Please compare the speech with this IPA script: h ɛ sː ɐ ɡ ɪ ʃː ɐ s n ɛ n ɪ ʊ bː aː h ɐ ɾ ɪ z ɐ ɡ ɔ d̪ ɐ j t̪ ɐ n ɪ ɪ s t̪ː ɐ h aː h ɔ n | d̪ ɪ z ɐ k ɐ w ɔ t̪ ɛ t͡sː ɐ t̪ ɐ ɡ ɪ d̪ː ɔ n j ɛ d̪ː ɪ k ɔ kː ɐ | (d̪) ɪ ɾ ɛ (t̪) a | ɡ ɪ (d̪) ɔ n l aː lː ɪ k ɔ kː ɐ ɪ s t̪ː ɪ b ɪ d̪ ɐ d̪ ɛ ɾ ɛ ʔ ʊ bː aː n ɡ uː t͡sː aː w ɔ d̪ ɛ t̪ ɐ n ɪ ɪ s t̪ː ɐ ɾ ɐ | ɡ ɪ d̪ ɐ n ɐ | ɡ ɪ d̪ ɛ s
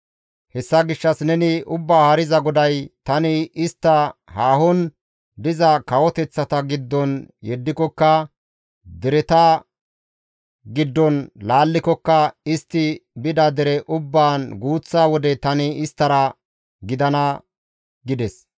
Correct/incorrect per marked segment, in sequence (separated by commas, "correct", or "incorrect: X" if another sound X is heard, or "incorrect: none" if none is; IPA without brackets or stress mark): correct, correct, incorrect: d̪ː